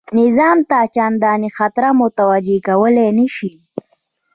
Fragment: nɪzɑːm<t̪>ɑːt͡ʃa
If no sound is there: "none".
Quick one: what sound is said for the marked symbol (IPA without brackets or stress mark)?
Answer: t̪